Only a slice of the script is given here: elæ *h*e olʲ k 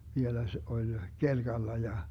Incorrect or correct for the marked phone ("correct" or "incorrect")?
incorrect